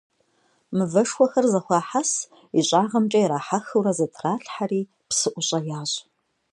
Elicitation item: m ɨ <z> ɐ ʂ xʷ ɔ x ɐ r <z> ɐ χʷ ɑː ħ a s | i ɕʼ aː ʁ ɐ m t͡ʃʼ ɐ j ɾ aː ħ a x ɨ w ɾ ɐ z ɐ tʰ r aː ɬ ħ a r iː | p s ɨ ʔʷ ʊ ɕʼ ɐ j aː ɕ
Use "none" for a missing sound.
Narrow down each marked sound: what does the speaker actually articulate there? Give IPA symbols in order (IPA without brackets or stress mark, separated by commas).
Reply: v, z